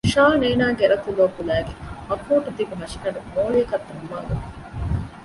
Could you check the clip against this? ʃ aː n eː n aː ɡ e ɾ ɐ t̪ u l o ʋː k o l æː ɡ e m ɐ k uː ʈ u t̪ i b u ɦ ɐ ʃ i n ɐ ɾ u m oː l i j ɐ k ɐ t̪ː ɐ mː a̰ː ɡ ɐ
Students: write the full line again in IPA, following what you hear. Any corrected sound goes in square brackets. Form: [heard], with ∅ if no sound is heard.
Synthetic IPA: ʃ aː n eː n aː ɡ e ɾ ɐ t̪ u l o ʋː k [u] l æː ɡ e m ɐ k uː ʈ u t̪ i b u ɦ ɐ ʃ i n ɐ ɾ u m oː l i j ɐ k ɐ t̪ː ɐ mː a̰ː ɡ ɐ